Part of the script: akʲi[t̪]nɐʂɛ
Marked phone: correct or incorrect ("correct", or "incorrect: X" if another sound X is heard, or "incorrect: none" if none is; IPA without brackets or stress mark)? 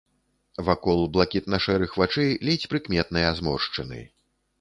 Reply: correct